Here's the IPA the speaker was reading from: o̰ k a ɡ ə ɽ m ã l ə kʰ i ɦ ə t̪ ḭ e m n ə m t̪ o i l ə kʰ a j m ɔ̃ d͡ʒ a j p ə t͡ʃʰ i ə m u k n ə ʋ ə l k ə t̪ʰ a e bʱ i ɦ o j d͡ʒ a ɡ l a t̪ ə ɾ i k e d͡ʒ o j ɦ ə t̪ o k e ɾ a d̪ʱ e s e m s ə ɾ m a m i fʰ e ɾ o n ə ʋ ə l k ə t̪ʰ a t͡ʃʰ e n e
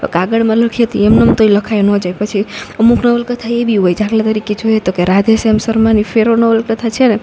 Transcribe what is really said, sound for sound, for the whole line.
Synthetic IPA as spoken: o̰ k a ɡ ə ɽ m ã l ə kʰ i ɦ ə t̪ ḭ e m n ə m t̪ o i l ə kʰ a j n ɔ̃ d͡ʒ a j p ə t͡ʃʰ i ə m u k n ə ʋ ə l k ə t̪ʰ a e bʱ i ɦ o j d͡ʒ a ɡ l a t̪ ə ɾ i k e d͡ʒ o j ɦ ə t̪ o k e ɾ a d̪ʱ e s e m s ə ɾ m a n i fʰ e ɾ o n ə ʋ ə l k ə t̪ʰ a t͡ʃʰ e n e